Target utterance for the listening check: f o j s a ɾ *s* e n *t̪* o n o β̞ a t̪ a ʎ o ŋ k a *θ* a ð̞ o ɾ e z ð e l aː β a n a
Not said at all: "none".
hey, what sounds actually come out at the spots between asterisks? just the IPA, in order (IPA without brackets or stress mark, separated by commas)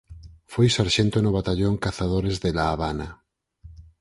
ʃ, t̪, θ